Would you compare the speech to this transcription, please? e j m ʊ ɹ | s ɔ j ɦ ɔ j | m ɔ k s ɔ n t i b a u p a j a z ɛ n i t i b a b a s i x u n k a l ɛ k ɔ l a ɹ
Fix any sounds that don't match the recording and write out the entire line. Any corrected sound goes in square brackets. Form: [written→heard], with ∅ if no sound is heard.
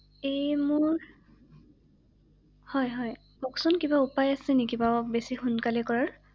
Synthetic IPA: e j m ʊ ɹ | [s→h] ɔ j ɦ ɔ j | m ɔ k s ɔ n [t→k] i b a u p a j a [z→s] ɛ n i [t→k] i b a b [a→e] s i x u n k a l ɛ k ɔ [l→ɹ] a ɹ